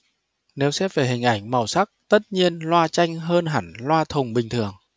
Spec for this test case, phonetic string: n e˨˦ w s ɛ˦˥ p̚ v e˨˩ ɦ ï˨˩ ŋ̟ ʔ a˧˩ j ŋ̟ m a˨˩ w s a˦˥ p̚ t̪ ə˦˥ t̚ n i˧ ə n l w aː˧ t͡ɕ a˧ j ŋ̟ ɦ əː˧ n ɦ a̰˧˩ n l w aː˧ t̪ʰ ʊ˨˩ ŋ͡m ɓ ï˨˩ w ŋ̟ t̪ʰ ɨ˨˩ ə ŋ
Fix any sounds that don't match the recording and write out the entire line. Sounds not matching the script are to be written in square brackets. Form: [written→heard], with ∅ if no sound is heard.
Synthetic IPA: n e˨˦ w s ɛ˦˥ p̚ v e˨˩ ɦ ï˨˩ ŋ̟ ʔ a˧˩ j ŋ̟ m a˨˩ w s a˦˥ [p̚→k̚] t̪ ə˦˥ t̚ [n→ɲ] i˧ ə n l w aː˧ t͡ɕ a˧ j ŋ̟ ɦ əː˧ n ɦ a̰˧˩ n l w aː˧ t̪ʰ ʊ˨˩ ŋ͡m ɓ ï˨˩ [w→∅] ŋ̟ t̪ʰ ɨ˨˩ ə ŋ